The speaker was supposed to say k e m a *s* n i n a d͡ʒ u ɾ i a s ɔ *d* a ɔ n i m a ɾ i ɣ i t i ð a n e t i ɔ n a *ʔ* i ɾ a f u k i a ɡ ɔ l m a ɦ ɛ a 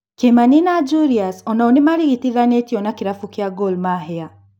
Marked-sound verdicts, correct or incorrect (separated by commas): incorrect, incorrect, incorrect